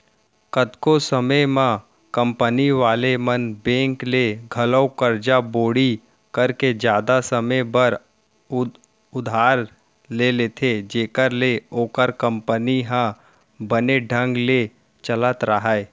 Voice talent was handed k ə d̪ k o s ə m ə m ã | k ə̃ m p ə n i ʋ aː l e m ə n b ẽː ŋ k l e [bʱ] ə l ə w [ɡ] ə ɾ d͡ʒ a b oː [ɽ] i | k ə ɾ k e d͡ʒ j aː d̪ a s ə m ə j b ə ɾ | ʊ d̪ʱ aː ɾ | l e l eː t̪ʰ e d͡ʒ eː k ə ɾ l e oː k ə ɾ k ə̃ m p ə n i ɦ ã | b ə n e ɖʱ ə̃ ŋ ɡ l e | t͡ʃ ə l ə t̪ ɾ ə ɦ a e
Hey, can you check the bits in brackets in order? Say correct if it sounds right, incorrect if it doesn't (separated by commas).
incorrect, incorrect, correct